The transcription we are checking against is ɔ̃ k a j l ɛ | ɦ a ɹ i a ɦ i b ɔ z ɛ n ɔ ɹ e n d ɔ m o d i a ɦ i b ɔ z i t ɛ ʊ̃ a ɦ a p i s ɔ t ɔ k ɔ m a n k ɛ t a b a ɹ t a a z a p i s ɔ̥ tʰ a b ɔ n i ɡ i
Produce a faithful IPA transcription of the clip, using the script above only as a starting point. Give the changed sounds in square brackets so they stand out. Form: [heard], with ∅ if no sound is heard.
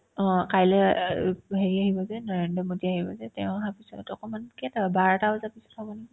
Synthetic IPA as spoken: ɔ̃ k a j l ɛ | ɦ [e] ɹ i a ɦ i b ɔ z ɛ n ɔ ɹ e n d ɔ m o d i a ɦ i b ɔ z [ɛ] t ɛ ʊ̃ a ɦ a p i s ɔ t ɔ k ɔ m a n k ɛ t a b a ɹ t a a z a p i s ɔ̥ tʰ a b ɔ n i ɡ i